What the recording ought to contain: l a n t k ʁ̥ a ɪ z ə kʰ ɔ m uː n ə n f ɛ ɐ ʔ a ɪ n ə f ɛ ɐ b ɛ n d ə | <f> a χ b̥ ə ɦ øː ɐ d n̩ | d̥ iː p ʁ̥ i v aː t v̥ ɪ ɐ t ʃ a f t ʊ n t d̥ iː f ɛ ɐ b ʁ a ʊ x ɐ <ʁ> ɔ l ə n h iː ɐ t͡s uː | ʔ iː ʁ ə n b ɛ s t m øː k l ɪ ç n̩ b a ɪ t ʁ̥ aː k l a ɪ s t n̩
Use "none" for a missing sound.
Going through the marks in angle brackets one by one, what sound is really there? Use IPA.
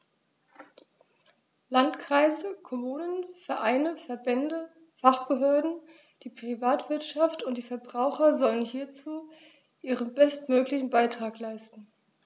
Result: f, z

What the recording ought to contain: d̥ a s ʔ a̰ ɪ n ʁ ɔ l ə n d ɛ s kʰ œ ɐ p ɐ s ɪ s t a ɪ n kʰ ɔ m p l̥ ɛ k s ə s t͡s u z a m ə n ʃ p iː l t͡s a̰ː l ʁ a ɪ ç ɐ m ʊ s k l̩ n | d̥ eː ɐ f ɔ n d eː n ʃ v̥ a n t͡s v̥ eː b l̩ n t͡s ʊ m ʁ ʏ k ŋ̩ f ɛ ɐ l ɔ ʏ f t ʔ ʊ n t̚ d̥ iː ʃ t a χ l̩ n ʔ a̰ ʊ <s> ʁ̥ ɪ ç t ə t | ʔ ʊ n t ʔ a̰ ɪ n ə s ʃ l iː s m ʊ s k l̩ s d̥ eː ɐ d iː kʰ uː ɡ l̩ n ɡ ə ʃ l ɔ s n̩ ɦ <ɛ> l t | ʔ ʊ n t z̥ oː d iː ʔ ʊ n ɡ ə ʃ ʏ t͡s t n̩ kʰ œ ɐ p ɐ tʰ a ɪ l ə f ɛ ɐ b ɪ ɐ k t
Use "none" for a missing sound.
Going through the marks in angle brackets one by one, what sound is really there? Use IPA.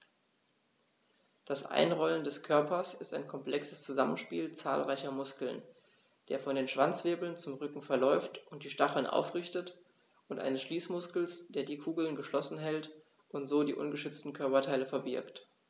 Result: f, ɛ

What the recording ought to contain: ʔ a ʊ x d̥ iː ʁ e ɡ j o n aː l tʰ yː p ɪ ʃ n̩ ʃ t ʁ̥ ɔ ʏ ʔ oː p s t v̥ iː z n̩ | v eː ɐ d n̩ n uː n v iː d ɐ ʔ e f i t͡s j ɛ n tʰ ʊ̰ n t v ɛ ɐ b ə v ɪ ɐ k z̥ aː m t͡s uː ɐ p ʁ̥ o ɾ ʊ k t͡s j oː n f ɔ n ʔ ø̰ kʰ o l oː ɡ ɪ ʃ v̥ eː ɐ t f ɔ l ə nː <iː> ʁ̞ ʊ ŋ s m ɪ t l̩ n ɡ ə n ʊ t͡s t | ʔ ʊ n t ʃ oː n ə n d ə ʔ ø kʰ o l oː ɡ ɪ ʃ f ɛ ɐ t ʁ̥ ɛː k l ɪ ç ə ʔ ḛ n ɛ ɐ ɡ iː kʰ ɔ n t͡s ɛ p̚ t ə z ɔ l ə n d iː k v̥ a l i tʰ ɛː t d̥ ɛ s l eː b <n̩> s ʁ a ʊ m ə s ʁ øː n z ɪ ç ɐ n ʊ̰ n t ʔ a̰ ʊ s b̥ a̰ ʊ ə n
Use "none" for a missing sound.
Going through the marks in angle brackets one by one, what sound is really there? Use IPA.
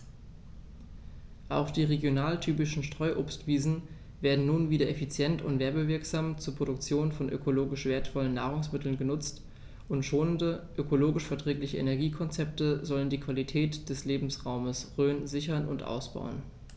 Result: aː, m̩

